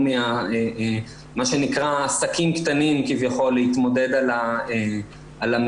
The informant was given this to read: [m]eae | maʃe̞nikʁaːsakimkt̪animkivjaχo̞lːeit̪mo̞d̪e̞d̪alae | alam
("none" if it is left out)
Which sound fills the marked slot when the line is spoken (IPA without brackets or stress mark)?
m